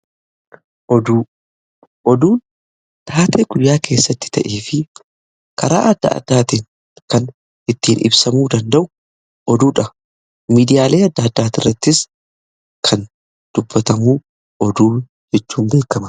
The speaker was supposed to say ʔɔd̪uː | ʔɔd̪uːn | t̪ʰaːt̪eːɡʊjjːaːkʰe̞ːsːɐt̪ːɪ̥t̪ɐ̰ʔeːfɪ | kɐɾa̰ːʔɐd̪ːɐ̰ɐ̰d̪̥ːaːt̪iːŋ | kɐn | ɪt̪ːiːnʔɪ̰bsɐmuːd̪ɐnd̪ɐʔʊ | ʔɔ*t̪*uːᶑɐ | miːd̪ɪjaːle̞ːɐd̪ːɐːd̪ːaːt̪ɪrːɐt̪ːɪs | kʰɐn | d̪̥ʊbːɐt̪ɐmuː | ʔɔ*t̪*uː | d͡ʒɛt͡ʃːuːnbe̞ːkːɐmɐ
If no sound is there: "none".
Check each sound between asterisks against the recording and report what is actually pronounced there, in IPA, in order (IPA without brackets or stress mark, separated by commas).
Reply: d̪, d̪